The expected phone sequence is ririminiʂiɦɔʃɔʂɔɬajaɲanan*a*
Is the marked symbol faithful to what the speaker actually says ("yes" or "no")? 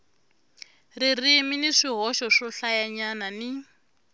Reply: no